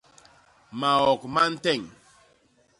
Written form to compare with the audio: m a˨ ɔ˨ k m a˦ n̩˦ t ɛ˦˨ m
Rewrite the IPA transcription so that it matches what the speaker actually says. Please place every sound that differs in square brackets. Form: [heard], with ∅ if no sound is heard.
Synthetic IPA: m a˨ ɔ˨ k m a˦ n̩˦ t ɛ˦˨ [ŋ]